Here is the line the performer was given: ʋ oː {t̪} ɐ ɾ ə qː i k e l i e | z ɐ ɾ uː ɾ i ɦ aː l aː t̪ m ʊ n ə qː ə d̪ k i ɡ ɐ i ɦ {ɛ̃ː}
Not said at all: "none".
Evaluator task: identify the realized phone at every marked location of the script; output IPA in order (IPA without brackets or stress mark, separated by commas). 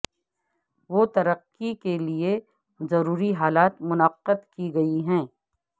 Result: t̪, ɛ̃ː